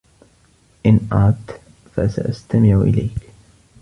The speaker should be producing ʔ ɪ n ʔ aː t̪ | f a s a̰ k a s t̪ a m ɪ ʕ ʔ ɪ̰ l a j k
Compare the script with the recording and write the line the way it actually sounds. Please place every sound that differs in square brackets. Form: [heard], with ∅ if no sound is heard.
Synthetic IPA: ʔ ɪ n ʔ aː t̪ | f a s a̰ [ʔ] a s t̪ a m ɪ ʕ ʔ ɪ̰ l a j k